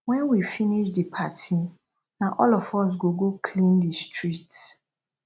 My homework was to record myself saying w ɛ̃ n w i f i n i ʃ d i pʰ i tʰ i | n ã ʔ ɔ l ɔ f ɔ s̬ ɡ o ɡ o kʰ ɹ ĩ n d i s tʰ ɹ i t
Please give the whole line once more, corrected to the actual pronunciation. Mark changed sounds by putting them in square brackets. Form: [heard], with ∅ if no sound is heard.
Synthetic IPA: w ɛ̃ n w i f i n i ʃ d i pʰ [a] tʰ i | n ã ʔ ɔ l ɔ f ɔ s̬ ɡ o ɡ o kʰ [l] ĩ n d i s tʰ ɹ i t

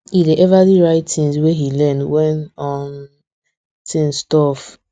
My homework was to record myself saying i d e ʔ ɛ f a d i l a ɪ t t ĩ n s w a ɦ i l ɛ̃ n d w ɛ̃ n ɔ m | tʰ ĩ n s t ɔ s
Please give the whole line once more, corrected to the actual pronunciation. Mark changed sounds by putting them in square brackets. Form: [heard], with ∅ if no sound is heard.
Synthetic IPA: i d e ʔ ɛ [v] a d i [ɹ] a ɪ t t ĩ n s w [e] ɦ i l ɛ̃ n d w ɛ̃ n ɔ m | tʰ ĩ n s t ɔ [f]

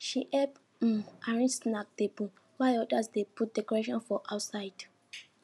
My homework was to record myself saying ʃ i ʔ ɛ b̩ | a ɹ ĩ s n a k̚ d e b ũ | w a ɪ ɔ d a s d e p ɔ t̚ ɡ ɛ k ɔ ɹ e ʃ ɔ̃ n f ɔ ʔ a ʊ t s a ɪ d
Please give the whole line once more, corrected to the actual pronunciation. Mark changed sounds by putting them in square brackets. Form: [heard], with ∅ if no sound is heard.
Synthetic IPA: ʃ i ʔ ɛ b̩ | a ɹ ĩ s n a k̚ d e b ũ | w a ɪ ɔ d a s d e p [u] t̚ [d] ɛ k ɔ ɹ e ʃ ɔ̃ n f ɔ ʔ a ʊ t s a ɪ d

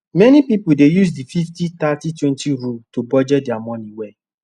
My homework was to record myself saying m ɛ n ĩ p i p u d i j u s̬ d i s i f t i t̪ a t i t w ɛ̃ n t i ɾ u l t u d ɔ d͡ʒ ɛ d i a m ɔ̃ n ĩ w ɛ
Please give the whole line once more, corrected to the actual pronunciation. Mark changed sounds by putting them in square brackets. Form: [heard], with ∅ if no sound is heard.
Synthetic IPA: m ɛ n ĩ p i p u d [e] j u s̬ d i [f] i f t i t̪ a t i t w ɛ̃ n t i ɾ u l t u [b] ɔ d͡ʒ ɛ d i a m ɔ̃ n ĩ w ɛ

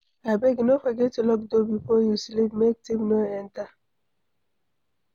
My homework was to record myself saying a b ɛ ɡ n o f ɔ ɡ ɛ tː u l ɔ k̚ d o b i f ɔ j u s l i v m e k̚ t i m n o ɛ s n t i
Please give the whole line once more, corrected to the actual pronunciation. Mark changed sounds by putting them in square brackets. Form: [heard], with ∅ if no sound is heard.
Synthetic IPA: a b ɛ ɡ n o f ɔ ɡ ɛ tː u l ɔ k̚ d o b i f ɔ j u s l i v m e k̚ t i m n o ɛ [∅] n t [a]

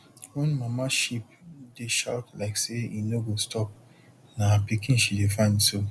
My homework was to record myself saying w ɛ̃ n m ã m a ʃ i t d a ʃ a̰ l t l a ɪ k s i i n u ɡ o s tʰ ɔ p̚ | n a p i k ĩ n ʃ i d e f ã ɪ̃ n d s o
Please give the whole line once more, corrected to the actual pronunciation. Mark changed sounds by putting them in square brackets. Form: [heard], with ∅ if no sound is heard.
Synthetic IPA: w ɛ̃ n m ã m a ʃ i [p] d [e] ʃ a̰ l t l a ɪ k s [e] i n [o] ɡ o s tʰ ɔ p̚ | n a p i k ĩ n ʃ i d e f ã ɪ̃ n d s o

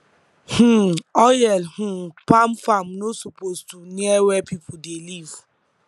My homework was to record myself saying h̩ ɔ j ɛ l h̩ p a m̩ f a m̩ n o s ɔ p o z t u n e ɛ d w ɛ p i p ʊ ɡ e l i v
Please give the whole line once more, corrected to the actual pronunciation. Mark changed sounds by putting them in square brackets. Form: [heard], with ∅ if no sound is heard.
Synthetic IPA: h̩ ɔ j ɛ l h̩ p a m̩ f a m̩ n o s [u] p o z t u n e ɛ [∅] w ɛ p i p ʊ [d] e l i v

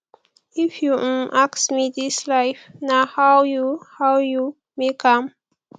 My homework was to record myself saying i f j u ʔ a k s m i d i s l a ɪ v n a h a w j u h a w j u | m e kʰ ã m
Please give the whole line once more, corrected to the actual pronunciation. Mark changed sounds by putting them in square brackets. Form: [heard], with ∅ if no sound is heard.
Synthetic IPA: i f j u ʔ a k s m i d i s l a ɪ [f] n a h a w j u h a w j u | m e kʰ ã m

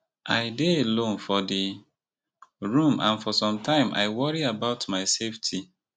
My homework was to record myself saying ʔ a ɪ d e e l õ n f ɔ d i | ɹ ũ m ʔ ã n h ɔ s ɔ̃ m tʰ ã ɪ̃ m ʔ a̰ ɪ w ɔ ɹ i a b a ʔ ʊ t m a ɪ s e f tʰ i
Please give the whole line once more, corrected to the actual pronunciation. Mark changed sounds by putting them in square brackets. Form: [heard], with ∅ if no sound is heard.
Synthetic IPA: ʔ a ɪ d e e l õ n f ɔ d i | ɹ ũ m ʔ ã n [f] ɔ s ɔ̃ m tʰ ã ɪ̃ m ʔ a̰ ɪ w ɔ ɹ i a b a [∅] ʊ t m a ɪ s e f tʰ i

